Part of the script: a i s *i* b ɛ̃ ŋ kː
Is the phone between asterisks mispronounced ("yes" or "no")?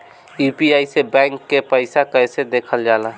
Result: yes